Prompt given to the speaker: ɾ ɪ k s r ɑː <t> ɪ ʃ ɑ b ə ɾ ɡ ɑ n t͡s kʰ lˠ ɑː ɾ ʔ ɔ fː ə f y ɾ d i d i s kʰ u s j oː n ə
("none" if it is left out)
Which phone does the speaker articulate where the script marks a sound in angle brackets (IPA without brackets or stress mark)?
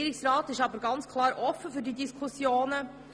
t